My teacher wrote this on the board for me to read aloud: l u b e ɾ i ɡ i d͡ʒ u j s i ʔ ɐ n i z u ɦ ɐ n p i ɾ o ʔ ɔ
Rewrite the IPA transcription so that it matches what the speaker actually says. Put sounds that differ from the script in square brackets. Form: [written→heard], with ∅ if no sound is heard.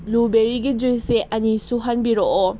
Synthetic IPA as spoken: l u b e ɾ i ɡ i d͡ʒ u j s [i→e] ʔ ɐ n i [z→s] u ɦ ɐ n [p→b] i ɾ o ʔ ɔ

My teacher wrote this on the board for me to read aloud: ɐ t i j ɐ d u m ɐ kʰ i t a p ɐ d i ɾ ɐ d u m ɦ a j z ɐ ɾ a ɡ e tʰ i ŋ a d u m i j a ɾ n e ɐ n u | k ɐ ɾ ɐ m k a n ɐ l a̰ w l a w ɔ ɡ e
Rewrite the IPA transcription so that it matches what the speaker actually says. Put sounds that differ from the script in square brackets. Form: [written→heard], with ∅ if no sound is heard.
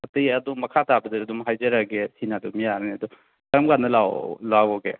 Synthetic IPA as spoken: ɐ t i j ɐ d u m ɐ kʰ [i→a] t a [p→b] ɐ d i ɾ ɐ d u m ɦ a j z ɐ ɾ a ɡ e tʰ i [ŋ→n] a d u m i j a ɾ n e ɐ [n→d] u | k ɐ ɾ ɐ m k a n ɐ l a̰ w l a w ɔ ɡ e

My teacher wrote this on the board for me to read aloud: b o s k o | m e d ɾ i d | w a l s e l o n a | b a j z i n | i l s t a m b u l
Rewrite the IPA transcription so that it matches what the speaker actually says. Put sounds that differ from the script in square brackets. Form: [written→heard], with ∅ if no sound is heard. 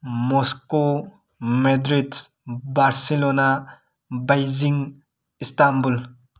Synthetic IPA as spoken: [b→m] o s k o | m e d ɾ i d | [w→b] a [l→ɾ] s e l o n a | b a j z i [n→ŋ] | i [l→∅] s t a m b u l

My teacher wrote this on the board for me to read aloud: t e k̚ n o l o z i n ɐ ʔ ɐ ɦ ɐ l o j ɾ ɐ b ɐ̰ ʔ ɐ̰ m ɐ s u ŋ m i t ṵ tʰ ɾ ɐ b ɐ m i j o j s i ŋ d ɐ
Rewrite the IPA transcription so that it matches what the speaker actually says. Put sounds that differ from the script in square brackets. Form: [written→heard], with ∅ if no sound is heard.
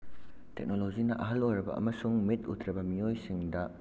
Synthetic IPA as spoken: t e k̚ n o l o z i n ɐ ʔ ɐ ɦ ɐ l o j ɾ ɐ b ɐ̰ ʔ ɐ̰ m ɐ s u ŋ m i t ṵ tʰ ɾ ɐ b ɐ m i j o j s i ŋ d ɐ

